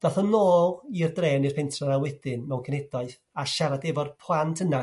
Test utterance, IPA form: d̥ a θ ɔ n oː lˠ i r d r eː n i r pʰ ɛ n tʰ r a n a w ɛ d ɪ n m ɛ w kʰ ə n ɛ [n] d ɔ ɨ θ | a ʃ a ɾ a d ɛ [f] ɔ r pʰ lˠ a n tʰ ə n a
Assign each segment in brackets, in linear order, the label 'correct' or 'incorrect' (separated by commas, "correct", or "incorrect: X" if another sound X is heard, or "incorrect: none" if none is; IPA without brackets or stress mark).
incorrect: none, incorrect: v